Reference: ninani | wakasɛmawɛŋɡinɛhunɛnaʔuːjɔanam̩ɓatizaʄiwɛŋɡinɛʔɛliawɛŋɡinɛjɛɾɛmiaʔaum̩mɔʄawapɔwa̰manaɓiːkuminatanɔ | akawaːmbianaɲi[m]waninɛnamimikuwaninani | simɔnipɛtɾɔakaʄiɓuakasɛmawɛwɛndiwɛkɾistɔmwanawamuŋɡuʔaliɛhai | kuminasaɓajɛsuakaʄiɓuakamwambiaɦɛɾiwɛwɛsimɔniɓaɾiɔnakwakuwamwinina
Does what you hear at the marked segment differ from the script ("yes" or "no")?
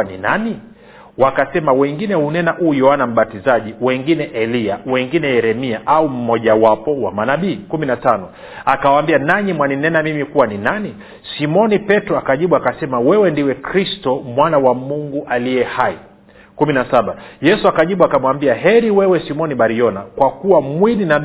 no